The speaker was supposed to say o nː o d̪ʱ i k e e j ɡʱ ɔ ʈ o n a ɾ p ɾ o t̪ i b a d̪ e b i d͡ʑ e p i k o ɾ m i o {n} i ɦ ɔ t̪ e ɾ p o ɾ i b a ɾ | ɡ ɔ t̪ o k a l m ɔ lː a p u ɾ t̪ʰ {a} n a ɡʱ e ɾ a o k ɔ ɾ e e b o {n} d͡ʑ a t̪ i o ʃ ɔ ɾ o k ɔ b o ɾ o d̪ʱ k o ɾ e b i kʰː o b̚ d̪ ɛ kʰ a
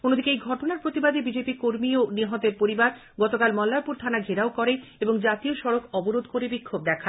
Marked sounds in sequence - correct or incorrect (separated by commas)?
correct, correct, incorrect